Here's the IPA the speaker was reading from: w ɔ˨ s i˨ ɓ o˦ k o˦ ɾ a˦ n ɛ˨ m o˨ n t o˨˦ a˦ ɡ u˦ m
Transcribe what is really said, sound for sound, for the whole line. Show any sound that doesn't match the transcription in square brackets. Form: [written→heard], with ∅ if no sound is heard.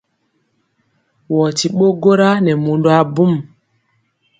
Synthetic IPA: w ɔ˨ [s→t] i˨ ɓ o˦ [k→ɡ] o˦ ɾ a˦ n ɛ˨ m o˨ n [t→d] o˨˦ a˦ [ɡ→b] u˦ m